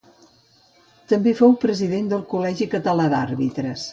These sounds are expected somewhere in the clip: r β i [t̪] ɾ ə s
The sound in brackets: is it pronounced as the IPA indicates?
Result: yes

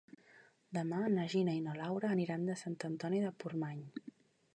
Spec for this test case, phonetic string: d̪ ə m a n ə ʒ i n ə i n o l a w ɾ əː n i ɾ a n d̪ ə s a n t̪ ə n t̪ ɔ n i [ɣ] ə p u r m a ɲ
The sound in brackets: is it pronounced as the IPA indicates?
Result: no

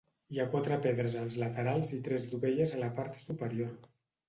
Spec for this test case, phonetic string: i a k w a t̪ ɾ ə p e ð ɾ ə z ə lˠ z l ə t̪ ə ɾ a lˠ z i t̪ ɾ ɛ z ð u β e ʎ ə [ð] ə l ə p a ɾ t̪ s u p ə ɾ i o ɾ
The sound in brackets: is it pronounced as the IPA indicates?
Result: no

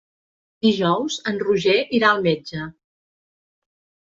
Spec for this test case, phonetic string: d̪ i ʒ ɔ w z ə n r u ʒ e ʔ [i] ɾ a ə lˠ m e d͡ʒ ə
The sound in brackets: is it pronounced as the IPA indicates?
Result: yes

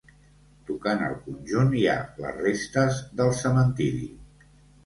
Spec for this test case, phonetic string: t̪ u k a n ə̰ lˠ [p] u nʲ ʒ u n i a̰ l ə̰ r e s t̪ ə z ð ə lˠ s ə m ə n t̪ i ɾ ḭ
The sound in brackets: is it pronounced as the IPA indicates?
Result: no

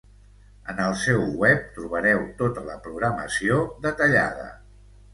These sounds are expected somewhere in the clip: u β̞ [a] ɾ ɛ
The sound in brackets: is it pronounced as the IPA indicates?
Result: no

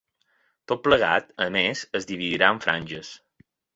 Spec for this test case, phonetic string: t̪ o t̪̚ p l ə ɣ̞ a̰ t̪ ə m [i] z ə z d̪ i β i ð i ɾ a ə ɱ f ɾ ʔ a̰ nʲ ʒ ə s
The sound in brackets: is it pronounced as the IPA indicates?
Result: no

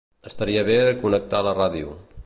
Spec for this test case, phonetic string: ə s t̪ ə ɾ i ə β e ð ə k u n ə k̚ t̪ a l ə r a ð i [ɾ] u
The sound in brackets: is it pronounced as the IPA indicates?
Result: no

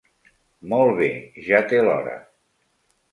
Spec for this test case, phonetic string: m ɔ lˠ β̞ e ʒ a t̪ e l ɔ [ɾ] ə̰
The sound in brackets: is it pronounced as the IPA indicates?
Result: yes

